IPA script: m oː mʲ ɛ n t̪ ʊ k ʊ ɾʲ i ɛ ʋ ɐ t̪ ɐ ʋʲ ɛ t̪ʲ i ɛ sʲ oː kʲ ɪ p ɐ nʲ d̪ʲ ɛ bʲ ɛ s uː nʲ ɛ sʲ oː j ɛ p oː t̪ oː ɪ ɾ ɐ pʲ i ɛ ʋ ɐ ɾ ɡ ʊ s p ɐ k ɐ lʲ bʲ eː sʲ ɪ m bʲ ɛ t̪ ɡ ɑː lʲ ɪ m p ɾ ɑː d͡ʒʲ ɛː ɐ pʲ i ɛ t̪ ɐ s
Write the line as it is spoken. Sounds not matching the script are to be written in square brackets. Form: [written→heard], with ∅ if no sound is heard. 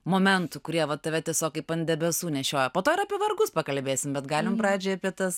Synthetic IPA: m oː mʲ ɛ n t̪ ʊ k ʊ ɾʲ i ɛ ʋ ɐ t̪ ɐ ʋʲ ɛ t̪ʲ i ɛ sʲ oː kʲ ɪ p ɐ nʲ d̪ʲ ɛ bʲ ɛ s uː nʲ ɛ [sʲ→ʃʲ] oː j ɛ p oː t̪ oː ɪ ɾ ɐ pʲ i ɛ ʋ ɐ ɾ ɡ ʊ s p ɐ k ɐ lʲ bʲ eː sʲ ɪ m bʲ ɛ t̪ ɡ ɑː lʲ ɪ m p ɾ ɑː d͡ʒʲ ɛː ɐ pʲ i ɛ t̪ ɐ s